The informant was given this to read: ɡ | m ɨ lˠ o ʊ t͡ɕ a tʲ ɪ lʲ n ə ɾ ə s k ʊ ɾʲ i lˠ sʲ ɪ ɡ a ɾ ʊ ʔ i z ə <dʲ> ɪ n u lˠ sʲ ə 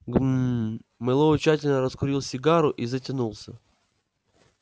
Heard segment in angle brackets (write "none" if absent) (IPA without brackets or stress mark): tʲ